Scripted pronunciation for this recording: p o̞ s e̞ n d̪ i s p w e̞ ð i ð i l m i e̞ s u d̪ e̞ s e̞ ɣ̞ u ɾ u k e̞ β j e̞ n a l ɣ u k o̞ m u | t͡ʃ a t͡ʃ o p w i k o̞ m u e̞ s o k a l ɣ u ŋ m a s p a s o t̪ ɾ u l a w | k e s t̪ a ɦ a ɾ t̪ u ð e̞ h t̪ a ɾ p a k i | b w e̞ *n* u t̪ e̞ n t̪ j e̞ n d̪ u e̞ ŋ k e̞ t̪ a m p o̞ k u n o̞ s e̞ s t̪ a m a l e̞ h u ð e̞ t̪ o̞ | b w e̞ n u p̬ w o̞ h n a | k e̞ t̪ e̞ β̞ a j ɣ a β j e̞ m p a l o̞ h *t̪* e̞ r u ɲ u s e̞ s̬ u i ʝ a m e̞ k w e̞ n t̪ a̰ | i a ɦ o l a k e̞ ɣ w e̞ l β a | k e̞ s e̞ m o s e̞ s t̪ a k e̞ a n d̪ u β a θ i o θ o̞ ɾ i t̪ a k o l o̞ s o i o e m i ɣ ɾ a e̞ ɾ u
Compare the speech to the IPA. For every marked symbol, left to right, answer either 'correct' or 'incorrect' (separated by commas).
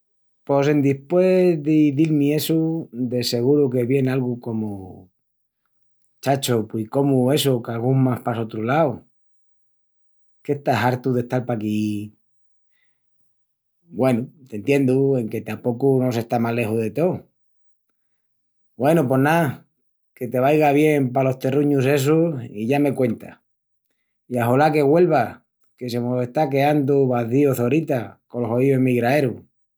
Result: correct, correct